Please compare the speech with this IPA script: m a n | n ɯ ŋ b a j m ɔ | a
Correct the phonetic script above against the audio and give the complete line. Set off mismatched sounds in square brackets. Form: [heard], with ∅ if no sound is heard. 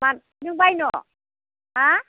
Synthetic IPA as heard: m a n | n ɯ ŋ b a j [n] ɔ | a